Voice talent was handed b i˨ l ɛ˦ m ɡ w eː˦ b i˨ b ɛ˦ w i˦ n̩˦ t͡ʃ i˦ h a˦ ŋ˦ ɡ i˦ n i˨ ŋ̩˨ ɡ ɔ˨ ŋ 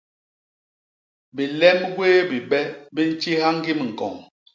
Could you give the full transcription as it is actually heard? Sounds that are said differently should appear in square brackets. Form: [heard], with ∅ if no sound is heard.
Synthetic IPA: b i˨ l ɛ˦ m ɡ w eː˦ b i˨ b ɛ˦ [b] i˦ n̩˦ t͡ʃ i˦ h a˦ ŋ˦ ɡ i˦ [m] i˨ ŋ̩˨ [k] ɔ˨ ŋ